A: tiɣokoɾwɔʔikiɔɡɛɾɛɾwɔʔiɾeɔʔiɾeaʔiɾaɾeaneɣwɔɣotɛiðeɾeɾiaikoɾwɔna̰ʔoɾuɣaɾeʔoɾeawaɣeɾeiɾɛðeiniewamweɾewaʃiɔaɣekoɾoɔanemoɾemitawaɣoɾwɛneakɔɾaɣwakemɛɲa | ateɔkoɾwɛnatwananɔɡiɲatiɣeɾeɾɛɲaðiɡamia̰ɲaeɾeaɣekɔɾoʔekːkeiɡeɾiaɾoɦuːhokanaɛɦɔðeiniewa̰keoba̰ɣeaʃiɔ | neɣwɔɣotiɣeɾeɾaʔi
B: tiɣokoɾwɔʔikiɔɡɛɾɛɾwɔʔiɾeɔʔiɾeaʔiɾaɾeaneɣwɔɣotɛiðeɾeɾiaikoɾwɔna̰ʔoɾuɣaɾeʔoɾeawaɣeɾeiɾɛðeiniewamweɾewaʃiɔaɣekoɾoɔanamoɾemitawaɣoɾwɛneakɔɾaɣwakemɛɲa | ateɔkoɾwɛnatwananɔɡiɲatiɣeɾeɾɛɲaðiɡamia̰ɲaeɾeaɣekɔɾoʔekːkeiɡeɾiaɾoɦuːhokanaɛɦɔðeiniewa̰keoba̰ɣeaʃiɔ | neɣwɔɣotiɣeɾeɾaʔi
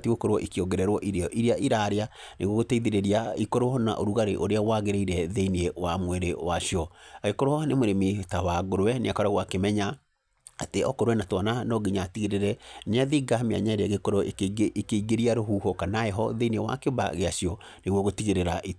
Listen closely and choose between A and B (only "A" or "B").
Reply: A